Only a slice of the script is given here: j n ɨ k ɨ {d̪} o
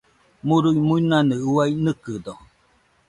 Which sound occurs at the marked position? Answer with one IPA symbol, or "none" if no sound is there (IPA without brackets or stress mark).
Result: d̪